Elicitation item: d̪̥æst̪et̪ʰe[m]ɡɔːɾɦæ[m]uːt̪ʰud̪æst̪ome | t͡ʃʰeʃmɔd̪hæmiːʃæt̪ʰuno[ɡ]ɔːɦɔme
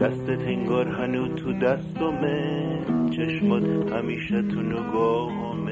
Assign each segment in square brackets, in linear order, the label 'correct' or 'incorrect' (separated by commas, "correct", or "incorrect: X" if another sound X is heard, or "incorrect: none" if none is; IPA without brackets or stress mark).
incorrect: ŋ, incorrect: n, correct